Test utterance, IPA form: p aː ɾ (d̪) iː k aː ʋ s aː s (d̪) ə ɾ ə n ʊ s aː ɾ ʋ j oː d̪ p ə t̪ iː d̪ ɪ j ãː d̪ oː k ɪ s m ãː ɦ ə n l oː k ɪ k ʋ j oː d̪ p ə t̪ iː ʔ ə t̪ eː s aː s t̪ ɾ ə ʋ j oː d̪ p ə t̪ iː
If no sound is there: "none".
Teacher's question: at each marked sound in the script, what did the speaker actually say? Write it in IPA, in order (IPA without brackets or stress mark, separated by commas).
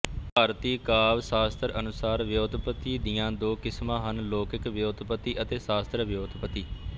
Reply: t̪, t̪